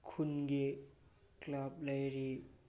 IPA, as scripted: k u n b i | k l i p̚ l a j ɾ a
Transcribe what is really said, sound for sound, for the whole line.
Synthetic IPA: kʰ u n ɡ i | k l a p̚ l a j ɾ i

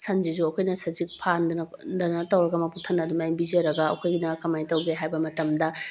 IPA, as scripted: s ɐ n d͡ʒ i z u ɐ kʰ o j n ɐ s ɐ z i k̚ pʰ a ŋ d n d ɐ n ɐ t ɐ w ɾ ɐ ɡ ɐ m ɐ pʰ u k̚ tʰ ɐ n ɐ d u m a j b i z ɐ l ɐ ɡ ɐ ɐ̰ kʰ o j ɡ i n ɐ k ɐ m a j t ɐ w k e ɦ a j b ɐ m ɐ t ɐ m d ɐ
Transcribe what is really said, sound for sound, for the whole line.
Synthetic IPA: s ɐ n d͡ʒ i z u ɐ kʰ o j n ɐ s ɐ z i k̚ pʰ a n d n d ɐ n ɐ t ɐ w ɾ ɐ ɡ ɐ m ɐ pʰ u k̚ tʰ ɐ n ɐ d u m a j b i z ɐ ɾ ɐ ɡ ɐ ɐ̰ kʰ o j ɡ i n ɐ k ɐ m a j t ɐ w ɡ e ɦ a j b ɐ m ɐ t ɐ m d ɐ

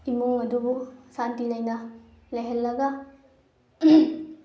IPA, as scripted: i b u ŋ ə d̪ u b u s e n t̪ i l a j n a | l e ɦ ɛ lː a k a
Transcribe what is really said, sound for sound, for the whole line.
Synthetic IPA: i m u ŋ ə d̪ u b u s a n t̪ i l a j n a | l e ɦ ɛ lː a ɡ a

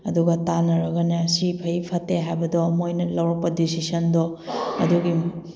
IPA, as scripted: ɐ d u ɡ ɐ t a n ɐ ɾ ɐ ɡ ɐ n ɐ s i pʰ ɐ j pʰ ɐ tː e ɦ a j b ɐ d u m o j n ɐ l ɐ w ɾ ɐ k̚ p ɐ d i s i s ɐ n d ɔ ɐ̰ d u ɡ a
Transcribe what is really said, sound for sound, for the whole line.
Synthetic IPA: ɐ d u ɡ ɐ t a n ɐ ɾ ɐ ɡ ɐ n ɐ s i pʰ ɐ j pʰ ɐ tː e ɦ a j b ɐ d ɔ m o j n ɐ l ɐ w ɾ ɐ k̚ p ɐ d i s i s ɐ n d ɔ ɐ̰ d u ɡ i

